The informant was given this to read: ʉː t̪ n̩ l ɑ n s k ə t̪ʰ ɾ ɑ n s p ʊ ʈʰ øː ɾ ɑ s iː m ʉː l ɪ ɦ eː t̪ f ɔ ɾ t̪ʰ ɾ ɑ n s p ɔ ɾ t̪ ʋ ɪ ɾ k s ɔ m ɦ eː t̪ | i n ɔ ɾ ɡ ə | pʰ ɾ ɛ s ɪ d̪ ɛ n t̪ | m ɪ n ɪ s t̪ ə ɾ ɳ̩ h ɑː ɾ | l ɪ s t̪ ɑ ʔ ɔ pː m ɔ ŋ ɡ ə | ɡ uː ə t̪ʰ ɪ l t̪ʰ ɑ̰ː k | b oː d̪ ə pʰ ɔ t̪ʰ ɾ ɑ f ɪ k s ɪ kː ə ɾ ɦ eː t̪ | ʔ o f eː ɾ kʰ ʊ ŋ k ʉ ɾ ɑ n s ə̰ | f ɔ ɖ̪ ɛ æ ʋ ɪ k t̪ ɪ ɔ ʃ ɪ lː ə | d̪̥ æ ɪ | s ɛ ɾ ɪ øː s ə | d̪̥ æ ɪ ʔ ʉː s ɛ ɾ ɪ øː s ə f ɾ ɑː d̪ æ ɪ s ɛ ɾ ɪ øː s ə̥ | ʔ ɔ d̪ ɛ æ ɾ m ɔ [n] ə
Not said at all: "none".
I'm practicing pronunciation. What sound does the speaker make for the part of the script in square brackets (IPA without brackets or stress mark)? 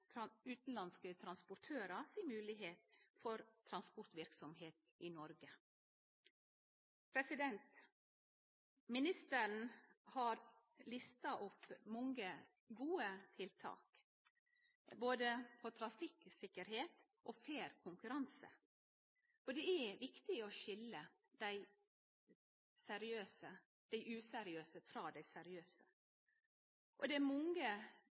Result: ŋ